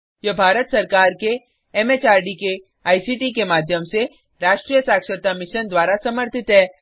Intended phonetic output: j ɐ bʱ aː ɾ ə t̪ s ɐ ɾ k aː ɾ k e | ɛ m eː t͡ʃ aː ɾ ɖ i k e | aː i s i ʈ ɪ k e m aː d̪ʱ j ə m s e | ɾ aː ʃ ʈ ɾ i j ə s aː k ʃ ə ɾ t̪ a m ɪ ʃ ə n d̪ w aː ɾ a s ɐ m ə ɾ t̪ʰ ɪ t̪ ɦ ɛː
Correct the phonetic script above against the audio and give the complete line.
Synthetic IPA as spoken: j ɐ bʱ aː ɾ ə t̪ s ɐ ɾ k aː ɾ k e | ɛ m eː t͡ʃ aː ɾ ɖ i k e | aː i s i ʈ i k e m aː d̪ʱ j ə m s e | ɾ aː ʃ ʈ ɾ i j ə s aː k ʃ ə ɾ t̪ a m ɪ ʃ ə n d̪ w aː ɾ a s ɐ m ə ɾ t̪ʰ ɪ t̪ ɦ ɛː